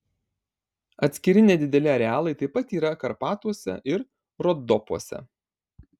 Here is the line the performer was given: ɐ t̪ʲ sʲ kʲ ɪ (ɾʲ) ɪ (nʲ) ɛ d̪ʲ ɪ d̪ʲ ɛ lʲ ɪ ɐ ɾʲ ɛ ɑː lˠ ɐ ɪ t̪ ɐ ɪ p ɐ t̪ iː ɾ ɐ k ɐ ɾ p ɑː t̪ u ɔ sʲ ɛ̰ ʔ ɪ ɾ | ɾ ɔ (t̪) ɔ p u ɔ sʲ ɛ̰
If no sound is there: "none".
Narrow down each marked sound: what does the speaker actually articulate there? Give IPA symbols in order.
ɾʲ, nʲ, d̪

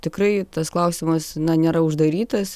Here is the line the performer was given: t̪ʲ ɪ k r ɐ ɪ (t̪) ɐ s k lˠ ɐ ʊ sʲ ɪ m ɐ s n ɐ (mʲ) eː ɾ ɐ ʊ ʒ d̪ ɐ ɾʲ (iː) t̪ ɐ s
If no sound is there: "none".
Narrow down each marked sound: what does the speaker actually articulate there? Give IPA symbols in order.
t̪, nʲ, iː

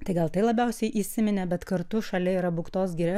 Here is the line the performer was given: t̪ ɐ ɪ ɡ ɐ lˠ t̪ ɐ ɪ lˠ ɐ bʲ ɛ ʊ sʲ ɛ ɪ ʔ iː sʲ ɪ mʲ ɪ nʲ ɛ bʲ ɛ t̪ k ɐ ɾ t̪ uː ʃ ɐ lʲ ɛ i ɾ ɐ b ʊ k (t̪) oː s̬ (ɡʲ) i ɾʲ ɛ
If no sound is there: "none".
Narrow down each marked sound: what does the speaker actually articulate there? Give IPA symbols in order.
t̪, ɡʲ

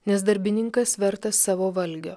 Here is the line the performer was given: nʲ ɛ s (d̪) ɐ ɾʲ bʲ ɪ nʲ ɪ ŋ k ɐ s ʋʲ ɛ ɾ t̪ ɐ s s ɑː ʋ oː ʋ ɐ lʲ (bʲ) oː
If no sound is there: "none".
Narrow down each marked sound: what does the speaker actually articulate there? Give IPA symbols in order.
d̪, ɡʲ

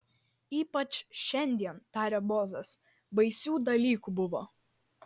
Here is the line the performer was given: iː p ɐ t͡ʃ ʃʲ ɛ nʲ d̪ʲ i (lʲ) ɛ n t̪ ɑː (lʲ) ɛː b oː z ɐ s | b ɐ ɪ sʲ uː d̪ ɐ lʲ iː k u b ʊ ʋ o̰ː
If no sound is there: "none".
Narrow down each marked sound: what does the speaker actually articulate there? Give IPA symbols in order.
none, ɾʲ

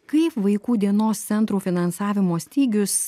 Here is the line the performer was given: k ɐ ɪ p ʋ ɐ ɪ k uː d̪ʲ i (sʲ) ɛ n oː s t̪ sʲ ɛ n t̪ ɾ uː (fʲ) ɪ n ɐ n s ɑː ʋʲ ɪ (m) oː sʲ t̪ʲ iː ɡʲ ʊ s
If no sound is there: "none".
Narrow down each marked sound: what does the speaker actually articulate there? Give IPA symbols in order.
none, fʲ, m

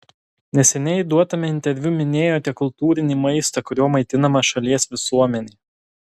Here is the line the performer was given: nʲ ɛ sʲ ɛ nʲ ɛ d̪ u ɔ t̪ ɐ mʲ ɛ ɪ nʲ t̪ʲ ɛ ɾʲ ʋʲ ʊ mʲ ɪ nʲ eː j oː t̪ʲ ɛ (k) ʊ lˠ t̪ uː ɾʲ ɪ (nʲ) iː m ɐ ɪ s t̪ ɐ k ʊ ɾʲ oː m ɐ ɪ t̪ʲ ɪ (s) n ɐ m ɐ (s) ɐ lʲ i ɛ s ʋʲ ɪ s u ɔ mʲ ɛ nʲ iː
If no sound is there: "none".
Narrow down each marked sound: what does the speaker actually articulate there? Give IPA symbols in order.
k, nʲ, none, ʃ

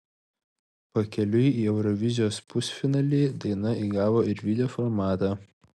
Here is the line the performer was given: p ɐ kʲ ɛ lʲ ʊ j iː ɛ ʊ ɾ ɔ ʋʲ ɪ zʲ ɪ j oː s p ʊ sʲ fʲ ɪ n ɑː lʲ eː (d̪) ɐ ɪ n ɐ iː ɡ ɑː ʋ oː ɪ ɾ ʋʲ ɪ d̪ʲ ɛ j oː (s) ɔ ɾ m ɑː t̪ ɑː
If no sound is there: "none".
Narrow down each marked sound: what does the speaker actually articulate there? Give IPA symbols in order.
d̪, f

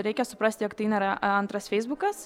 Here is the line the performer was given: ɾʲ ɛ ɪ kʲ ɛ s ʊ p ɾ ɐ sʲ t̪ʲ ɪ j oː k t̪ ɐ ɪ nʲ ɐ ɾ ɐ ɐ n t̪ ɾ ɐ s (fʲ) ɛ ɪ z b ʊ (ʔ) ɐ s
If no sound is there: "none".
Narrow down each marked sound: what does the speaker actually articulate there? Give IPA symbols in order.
fʲ, k

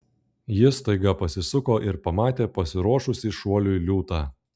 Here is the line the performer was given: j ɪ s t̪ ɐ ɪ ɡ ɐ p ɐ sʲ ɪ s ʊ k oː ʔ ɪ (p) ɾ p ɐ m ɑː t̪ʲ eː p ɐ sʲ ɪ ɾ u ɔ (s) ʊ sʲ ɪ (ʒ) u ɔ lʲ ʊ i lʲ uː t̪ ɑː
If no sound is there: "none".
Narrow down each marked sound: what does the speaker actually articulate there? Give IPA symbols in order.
none, ʃ, ʃ

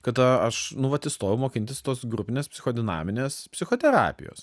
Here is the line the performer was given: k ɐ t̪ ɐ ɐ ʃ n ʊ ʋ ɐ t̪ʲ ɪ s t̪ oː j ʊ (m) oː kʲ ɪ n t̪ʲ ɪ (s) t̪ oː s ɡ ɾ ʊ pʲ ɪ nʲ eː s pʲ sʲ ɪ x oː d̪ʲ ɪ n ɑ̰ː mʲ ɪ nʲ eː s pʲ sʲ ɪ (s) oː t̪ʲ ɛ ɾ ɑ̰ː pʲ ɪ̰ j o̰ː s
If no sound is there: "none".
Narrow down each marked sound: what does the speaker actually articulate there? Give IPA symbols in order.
m, s, x

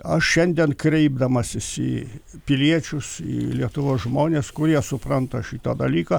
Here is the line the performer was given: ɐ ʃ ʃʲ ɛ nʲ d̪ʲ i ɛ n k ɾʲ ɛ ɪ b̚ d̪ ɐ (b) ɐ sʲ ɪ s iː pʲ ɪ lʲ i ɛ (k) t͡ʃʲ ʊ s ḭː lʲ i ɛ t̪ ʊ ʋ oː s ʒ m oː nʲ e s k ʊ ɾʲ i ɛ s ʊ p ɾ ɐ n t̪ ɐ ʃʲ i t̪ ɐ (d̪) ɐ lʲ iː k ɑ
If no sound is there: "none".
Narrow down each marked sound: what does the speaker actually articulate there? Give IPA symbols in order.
m, none, d̪

